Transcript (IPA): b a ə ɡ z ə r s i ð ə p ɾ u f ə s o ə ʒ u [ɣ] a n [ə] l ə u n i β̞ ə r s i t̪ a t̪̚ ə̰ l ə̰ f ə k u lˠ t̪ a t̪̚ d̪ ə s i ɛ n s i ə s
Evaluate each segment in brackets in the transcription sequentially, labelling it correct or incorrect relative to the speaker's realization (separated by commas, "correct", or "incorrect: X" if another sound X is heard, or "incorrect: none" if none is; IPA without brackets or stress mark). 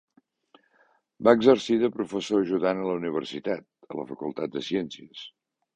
incorrect: ð, correct